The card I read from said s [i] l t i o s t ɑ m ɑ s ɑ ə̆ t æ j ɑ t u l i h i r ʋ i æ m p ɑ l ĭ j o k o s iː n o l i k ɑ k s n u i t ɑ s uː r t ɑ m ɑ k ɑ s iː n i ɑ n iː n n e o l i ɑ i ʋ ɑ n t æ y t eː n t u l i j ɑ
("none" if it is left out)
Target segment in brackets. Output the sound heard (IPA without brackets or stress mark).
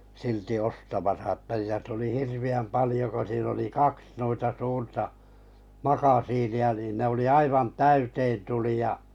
i